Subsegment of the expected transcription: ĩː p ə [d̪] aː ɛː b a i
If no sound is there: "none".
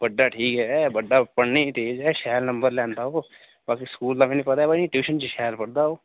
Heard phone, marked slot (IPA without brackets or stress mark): t̪